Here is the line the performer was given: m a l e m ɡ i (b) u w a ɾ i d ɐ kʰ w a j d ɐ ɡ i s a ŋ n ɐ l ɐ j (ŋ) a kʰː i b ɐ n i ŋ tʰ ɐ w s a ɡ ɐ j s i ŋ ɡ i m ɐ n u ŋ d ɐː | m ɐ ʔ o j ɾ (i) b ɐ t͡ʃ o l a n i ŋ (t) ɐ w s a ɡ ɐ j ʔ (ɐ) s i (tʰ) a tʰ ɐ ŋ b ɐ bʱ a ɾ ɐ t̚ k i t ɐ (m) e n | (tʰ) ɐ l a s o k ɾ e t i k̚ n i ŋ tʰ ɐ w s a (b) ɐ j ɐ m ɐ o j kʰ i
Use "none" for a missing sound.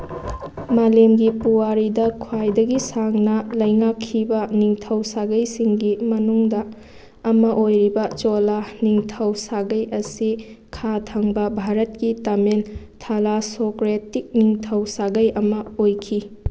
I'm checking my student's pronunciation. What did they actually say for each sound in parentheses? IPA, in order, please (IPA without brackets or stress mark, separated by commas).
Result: p, ŋ, i, tʰ, ɐ, kʰ, m, tʰ, ɡ